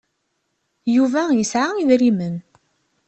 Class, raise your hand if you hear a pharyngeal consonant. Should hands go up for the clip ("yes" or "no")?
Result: yes